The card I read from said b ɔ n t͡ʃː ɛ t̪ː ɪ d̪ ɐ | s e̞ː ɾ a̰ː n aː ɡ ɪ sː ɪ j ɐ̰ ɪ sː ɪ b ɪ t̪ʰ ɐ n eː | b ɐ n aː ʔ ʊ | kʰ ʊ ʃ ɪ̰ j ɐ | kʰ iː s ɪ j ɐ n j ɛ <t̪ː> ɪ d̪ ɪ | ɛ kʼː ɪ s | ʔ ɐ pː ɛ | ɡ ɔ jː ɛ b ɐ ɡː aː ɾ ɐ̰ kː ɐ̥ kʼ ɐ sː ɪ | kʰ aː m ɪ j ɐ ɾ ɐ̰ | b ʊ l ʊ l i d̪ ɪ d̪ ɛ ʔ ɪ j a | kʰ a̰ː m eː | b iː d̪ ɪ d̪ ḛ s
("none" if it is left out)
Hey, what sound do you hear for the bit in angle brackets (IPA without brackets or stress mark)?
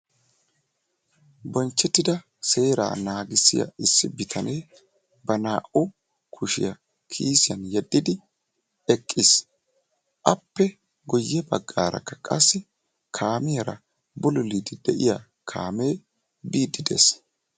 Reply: d̪ː